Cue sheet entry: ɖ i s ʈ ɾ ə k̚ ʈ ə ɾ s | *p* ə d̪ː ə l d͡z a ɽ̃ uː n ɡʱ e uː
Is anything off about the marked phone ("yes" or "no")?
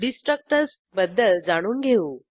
yes